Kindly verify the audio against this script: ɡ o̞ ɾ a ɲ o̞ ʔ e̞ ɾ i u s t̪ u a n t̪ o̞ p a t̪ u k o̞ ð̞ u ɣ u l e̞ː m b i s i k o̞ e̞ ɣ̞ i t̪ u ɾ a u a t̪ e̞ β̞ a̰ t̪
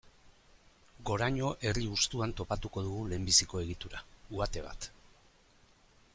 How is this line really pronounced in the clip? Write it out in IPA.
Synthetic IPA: ɡ o̞ ɾ a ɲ o̞ ʔ e̞ r i u s t̪ u a n t̪ o̞ p a t̪ u k o̞ ð̞ u ɣ u l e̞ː m b i s i k o̞ e̞ ɣ̞ i t̪ u ɾ a u a t̪ e̞ β̞ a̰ t̪